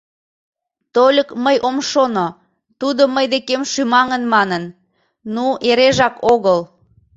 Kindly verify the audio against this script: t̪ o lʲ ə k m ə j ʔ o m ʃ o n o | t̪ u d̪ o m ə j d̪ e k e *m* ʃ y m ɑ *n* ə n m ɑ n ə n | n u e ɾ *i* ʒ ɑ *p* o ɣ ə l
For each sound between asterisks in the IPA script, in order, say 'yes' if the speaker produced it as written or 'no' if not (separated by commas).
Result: yes, no, no, no